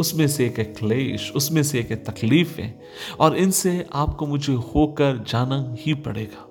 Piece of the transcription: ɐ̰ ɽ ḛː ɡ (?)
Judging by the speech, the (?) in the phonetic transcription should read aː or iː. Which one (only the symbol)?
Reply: aː